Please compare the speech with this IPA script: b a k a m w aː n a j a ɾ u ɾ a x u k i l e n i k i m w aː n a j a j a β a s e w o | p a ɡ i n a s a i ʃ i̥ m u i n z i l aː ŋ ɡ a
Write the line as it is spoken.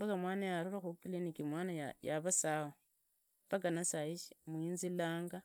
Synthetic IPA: b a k a m w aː n a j a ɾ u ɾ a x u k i l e n i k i m w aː n a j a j a β a s a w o | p a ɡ a n a s a i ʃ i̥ m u i n z i l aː ŋ ɡ a